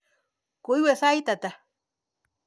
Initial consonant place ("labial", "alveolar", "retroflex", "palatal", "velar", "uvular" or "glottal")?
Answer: velar